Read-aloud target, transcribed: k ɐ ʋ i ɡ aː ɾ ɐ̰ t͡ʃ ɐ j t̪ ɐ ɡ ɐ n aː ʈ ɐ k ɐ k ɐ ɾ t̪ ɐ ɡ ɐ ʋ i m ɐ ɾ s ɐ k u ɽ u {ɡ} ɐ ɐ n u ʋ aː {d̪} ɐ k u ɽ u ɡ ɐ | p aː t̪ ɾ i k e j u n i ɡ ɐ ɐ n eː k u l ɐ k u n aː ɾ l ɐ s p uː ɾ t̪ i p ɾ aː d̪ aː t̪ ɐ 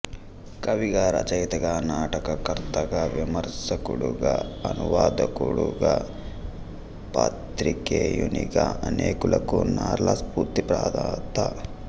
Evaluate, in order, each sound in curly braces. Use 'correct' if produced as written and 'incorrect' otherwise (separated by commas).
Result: correct, correct